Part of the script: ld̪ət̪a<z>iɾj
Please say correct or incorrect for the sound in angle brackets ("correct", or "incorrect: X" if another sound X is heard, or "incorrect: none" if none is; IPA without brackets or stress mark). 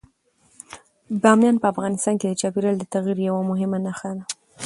incorrect: ɣ